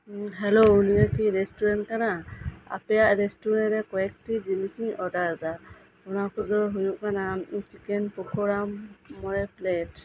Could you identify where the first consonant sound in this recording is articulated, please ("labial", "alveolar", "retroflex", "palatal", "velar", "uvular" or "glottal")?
glottal